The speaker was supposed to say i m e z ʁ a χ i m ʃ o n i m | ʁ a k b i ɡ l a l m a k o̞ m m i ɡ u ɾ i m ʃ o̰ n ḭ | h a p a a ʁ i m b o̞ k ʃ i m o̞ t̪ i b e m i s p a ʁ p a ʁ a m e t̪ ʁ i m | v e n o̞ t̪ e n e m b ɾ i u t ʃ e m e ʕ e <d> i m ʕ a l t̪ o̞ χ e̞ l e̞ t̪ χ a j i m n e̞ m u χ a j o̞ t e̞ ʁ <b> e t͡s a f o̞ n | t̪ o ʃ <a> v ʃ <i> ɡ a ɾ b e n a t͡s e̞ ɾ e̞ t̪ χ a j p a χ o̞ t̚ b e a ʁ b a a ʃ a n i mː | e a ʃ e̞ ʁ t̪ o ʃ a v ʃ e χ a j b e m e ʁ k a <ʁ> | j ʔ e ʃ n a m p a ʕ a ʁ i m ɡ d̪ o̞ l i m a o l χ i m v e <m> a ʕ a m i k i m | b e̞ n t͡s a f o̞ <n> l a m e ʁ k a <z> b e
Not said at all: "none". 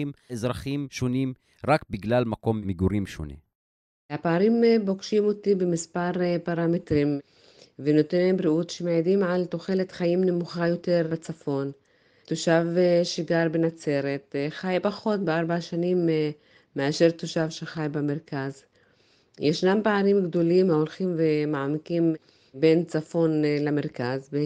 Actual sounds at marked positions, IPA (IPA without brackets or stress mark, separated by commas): d, b, a, i, z, m, n, z